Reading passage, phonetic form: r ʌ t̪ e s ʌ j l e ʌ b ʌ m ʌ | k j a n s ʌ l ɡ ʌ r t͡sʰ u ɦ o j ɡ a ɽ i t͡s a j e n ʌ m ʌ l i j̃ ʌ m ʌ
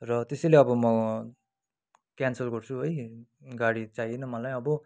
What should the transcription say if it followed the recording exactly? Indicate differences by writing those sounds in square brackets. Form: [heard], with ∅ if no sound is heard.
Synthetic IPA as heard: r ʌ t̪ e s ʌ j l e ʌ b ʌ m ʌ | k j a n s ʌ l ɡ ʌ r t͡sʰ u ɦ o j ɡ a ɽ i t͡s a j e n ʌ m ʌ l [a] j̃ ʌ [b] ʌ